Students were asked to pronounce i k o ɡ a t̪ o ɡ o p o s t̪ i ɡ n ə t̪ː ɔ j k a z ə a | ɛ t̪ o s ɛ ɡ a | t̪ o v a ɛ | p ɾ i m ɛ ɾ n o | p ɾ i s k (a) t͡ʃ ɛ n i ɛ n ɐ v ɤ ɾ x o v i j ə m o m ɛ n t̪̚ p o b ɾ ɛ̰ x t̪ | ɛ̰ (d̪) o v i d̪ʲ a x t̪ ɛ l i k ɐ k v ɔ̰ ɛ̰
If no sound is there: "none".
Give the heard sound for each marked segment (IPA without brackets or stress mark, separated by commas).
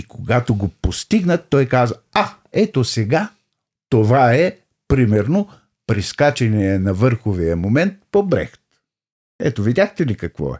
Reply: a, t̪